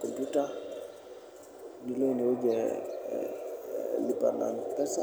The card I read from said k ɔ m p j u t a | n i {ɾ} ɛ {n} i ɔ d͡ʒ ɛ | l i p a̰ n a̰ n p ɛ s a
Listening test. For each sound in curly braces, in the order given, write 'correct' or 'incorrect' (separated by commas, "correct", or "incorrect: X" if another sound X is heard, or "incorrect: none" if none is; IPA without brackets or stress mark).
incorrect: l, correct